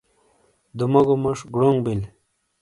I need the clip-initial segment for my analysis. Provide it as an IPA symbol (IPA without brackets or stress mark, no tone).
d̪